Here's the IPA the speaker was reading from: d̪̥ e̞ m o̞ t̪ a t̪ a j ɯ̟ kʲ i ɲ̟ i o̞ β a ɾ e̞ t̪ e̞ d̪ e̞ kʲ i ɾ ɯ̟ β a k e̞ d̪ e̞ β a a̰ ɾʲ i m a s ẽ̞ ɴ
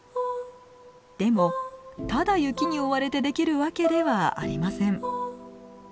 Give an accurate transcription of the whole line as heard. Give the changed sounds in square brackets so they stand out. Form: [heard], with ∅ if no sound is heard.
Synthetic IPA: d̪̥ e̞ m o̞ t̪ a [d̪] a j ɯ̟ kʲ i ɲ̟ i o̞ β a ɾ e̞ t̪ e̞ d̪ e̞ kʲ i ɾ ɯ̟ β a k e̞ d̪ e̞ β a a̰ ɾʲ i m a s ẽ̞ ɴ